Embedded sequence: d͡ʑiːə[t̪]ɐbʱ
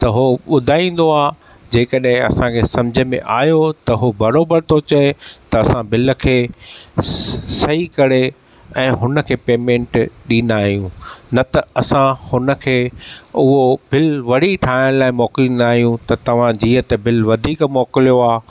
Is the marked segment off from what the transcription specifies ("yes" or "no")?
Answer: no